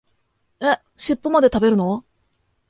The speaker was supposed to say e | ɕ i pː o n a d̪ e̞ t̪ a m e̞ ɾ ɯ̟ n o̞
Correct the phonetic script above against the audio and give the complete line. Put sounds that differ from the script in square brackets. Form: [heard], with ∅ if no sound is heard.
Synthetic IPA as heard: e | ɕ i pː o [m] a d̪ e̞ t̪ a [b] e̞ ɾ ɯ̟ n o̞